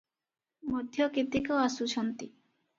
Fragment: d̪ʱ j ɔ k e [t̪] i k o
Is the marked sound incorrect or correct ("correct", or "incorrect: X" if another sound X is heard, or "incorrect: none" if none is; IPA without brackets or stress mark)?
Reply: correct